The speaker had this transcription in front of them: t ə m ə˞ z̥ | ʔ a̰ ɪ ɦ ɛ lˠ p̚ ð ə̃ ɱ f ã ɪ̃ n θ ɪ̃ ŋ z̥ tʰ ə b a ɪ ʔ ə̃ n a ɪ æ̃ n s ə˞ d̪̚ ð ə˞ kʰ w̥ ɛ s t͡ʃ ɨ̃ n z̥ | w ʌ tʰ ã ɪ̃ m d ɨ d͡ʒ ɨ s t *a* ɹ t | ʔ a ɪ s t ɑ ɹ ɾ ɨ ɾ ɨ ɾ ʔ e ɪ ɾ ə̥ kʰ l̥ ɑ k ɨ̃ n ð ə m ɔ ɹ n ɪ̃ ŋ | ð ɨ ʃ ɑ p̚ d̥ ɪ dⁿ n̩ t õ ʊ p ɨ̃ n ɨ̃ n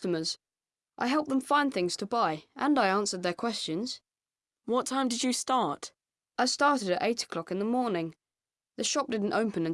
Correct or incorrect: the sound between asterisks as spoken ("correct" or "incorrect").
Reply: incorrect